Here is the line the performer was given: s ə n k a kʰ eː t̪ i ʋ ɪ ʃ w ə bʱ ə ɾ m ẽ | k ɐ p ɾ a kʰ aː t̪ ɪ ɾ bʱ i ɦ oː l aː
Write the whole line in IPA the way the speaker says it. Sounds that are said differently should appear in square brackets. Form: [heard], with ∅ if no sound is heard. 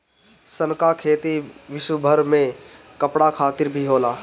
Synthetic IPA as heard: s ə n k a kʰ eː t̪ i ʋ ɪ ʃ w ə bʱ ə ɾ m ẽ | k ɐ p [ɽ] a kʰ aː t̪ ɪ ɾ bʱ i ɦ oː l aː